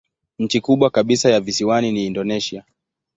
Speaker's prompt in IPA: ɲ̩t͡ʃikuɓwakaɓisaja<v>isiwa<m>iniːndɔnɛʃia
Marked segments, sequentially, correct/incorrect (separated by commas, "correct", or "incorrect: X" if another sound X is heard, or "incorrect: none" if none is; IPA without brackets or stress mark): correct, incorrect: n